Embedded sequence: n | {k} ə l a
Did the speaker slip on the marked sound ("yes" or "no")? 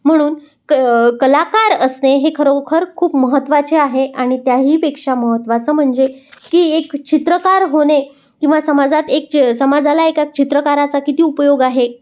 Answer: no